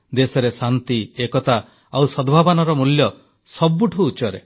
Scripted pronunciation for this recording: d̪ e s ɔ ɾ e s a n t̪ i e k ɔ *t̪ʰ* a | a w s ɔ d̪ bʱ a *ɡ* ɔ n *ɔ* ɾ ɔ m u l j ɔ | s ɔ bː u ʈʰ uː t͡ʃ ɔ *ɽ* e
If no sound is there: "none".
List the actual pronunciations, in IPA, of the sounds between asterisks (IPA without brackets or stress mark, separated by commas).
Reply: t̪, b, ɔ, ɾ